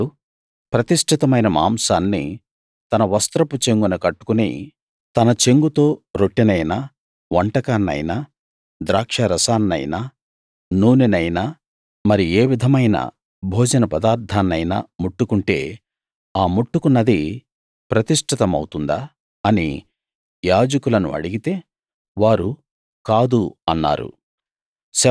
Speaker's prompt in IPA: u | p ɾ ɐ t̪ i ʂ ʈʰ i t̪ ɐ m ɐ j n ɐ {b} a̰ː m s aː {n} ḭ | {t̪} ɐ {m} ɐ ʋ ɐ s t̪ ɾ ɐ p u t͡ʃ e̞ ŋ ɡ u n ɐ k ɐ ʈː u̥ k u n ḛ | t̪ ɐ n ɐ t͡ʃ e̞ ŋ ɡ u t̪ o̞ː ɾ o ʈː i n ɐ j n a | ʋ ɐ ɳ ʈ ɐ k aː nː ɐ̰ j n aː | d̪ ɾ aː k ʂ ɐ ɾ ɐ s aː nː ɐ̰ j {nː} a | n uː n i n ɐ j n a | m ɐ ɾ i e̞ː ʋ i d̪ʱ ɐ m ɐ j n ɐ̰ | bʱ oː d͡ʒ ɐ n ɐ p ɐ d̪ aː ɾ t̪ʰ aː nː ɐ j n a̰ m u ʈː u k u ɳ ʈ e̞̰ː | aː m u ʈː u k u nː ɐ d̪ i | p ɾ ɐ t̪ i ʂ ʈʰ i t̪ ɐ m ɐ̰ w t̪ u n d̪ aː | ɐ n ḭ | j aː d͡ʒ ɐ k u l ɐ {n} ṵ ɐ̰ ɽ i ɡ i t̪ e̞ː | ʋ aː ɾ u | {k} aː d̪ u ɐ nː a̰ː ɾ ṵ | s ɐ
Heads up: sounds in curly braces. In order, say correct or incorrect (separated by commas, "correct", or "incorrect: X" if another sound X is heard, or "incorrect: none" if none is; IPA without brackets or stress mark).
incorrect: m, incorrect: nː, correct, incorrect: n, incorrect: n, correct, correct